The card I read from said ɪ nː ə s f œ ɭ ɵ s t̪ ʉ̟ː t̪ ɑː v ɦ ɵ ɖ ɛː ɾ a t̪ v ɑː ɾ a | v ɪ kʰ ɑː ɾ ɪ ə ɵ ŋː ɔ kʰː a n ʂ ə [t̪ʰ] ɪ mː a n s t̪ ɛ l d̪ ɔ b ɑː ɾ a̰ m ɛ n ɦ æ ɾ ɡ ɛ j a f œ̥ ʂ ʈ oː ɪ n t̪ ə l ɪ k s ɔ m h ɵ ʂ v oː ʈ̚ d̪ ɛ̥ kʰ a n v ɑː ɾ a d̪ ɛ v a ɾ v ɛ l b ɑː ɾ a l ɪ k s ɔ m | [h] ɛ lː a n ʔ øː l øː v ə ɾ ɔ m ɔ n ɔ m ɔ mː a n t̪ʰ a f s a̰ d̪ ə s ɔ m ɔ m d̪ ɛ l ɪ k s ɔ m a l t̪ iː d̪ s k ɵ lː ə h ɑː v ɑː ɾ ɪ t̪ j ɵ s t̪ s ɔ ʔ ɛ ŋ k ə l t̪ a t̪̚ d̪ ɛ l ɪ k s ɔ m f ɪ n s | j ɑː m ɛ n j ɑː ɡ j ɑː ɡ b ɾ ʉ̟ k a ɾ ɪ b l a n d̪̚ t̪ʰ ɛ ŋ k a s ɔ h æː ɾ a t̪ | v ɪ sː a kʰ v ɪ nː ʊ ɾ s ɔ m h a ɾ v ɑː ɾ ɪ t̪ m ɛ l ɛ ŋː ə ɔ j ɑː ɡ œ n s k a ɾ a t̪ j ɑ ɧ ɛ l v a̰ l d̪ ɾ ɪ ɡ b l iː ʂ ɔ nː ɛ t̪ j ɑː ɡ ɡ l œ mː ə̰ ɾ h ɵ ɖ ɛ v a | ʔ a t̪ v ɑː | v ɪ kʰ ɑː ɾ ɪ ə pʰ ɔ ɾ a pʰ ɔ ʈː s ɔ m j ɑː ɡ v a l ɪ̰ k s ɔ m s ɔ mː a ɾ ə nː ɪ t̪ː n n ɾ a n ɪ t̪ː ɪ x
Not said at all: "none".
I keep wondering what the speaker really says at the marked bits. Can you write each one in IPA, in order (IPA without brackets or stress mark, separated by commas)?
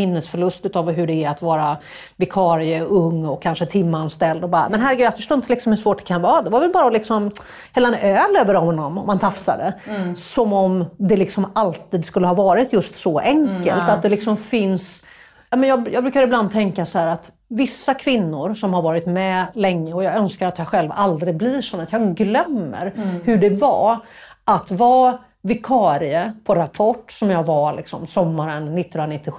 t̪ʰ, h